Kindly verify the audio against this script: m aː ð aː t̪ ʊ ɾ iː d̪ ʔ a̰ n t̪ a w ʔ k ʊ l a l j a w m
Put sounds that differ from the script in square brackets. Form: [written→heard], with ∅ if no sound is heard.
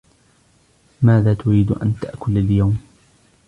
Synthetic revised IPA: m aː ð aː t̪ ʊ ɾ iː d̪ ʔ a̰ n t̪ a [w→∅] ʔ k ʊ l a l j a w m

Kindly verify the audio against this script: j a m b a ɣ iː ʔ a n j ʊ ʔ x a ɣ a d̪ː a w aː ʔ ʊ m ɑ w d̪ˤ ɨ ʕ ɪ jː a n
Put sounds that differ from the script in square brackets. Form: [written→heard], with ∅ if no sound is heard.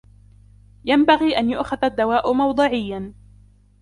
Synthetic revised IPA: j a m b a ɣ iː ʔ a n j ʊ ʔ x a [ɣ→ð] a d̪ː a w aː ʔ ʊ m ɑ w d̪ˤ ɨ ʕ ɪ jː a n

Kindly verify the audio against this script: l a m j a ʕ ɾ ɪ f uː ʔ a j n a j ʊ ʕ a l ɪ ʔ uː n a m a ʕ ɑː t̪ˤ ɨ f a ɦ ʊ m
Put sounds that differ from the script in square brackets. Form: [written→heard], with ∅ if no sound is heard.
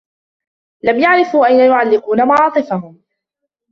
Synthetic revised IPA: l a m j a ʕ ɾ ɪ f uː ʔ a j n a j ʊ ʕ a [l→lː] ɪ [ʔ→q] uː n a m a ʕ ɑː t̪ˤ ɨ f a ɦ ʊ m

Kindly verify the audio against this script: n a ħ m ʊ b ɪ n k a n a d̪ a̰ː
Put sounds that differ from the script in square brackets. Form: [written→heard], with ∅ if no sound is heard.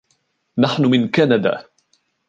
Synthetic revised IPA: n a ħ [m→n] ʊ [b→m] ɪ n k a n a d̪ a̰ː

